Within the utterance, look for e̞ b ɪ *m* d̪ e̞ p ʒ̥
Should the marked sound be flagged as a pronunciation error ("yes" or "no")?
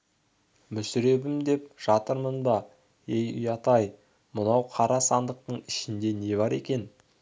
no